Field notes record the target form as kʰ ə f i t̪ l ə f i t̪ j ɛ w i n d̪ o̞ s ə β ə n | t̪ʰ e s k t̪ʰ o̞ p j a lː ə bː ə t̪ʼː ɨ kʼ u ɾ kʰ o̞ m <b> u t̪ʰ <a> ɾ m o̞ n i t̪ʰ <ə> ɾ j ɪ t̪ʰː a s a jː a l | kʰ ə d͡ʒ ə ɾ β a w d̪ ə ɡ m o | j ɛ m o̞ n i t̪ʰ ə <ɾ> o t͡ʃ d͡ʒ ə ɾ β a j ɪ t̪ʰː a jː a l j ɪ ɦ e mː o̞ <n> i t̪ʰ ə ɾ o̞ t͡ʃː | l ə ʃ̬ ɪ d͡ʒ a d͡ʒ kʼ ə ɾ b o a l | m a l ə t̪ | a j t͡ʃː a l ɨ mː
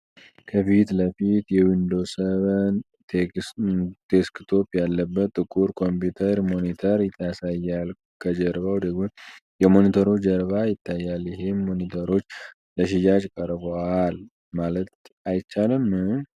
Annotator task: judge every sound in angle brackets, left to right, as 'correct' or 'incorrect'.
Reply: incorrect, incorrect, correct, correct, correct

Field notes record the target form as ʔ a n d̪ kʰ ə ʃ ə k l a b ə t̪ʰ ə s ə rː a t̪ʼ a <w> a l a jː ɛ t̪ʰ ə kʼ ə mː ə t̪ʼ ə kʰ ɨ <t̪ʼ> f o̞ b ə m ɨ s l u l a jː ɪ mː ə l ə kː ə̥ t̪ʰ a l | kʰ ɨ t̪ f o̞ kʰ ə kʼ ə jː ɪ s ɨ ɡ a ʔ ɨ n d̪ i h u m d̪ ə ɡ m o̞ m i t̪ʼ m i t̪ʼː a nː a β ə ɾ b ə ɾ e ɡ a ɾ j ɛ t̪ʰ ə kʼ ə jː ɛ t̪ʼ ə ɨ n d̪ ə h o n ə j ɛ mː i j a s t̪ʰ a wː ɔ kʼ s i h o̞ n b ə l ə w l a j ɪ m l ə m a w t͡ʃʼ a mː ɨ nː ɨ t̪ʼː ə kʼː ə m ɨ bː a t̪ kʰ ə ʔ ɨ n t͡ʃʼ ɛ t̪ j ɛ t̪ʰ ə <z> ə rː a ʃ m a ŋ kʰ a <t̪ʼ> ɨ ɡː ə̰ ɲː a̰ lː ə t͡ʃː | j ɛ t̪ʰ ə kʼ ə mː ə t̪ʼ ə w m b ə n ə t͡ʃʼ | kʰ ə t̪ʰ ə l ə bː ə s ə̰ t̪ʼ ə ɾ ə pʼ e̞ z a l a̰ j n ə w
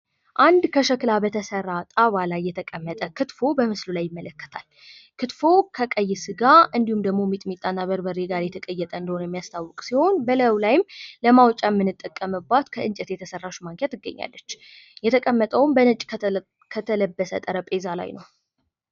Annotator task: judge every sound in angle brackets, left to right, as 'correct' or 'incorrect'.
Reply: incorrect, incorrect, incorrect, incorrect

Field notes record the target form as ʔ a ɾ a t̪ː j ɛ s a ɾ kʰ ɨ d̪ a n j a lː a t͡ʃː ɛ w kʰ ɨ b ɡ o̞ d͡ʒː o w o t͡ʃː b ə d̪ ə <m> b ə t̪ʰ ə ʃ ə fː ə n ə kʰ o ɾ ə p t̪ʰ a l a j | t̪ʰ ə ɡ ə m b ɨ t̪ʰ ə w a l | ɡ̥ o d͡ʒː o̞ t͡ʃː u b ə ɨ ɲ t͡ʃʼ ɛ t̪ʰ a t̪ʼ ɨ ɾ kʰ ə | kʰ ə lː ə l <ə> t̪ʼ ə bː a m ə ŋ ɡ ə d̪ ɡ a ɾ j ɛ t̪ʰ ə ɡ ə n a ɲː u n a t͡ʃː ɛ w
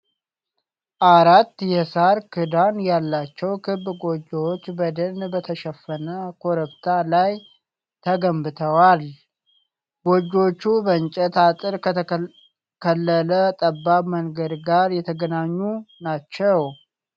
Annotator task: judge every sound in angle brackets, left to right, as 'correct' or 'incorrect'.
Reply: incorrect, correct

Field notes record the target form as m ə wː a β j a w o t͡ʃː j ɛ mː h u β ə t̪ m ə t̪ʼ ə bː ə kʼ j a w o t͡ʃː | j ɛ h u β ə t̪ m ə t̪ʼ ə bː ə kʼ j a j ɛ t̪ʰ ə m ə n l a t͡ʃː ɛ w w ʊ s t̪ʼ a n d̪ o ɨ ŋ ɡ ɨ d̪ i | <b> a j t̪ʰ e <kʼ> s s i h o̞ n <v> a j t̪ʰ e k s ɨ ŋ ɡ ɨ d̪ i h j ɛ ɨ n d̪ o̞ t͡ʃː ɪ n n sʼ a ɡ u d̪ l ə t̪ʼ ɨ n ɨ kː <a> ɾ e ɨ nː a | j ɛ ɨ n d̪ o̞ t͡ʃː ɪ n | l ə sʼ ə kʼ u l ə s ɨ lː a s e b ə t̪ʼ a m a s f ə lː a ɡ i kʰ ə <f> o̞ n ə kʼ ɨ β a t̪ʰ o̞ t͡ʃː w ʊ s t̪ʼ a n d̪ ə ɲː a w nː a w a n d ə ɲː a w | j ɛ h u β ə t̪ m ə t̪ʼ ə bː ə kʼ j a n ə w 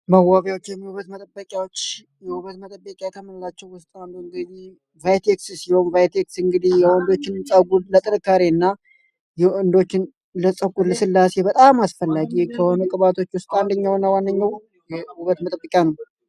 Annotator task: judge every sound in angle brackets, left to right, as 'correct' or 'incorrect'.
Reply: incorrect, incorrect, correct, correct, incorrect

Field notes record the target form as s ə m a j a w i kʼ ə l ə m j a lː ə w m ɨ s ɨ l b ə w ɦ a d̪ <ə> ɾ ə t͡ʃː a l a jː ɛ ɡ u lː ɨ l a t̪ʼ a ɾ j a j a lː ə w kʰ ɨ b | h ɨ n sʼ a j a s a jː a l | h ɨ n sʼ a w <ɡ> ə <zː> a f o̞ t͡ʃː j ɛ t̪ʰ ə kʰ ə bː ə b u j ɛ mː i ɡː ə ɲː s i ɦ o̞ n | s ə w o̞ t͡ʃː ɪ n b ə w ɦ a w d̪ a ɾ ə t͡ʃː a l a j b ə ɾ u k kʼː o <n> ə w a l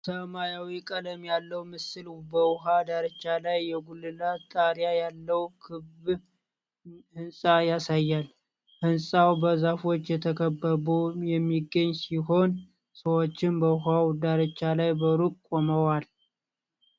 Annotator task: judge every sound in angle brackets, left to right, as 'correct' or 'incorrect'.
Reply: incorrect, incorrect, incorrect, incorrect

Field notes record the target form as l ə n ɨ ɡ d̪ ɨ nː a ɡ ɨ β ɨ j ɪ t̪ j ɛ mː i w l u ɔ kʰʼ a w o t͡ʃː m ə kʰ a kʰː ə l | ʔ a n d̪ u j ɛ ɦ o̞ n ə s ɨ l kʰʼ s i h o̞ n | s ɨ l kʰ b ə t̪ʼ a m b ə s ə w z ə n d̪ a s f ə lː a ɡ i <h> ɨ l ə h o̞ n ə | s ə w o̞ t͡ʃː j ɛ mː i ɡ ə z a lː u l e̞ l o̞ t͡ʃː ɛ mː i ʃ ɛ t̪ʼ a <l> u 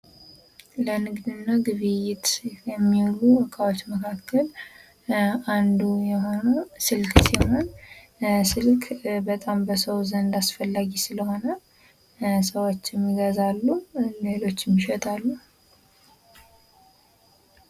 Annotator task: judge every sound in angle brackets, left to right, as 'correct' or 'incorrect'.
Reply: incorrect, incorrect

